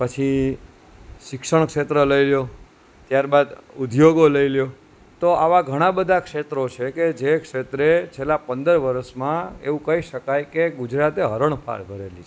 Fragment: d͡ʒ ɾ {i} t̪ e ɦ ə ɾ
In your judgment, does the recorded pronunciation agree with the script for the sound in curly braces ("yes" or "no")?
no